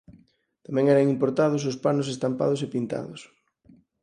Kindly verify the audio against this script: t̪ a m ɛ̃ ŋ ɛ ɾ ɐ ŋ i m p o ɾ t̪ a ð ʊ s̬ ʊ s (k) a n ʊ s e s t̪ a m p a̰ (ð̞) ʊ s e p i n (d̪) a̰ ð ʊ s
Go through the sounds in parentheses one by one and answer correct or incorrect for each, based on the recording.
incorrect: p, correct, incorrect: t̪

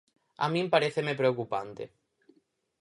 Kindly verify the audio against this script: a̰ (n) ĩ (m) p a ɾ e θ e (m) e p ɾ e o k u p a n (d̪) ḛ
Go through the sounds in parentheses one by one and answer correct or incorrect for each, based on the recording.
incorrect: m, correct, correct, incorrect: t̪

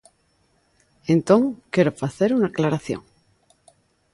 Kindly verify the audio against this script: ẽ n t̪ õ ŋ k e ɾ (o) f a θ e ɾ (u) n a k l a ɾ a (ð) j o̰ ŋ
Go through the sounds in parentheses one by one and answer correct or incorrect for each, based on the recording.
correct, correct, incorrect: θ

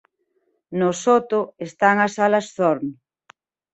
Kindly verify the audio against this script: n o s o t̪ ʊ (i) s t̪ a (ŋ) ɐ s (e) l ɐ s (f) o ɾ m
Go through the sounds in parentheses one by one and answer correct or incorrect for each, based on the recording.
incorrect: e, correct, incorrect: a, incorrect: θ

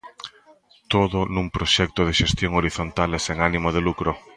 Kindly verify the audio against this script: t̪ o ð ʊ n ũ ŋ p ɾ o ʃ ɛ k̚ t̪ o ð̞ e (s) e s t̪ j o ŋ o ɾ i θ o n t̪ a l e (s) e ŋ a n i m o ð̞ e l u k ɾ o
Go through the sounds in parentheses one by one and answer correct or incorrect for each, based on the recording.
incorrect: ʃ, correct

